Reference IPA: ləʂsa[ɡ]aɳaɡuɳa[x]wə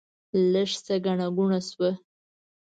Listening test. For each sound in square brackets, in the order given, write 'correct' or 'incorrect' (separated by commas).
correct, incorrect